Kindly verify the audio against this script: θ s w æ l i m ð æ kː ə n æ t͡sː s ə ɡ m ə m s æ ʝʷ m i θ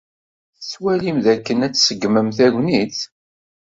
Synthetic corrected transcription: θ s w æ l i m ð æ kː ə n æ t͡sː s ə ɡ m ə m θ æ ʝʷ n i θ